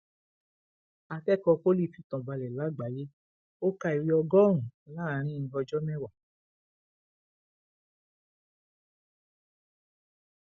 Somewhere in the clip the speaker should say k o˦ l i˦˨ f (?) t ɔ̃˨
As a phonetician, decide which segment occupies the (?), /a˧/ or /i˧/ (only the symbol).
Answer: i˧